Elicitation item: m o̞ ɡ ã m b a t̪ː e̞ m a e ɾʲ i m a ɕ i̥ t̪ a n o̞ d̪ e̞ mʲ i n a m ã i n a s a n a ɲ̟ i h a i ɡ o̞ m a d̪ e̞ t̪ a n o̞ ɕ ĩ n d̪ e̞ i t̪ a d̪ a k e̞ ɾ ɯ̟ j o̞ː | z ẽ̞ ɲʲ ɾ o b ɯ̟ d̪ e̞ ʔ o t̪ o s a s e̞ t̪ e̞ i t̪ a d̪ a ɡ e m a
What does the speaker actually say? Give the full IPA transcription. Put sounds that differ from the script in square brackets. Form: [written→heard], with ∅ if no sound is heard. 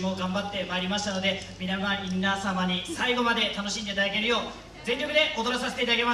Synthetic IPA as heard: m o̞ ɡ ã m b a t̪ː e̞ m a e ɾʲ i m a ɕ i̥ t̪ a n o̞ d̪ e̞ mʲ i n a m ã i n a s a [n→m] a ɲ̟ i [h→s] a i ɡ o̞ m a d̪ e̞ t̪ a n o̞ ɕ ĩ n d̪ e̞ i t̪ a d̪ a k e̞ ɾ ɯ̟ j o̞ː | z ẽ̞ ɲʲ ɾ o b ɯ̟ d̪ e̞ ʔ o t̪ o s a s e̞ t̪ e̞ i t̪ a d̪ a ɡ e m a